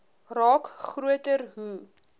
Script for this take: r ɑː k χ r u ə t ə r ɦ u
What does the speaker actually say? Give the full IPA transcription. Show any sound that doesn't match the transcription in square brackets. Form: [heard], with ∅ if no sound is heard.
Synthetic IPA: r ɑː k χ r u ə t ə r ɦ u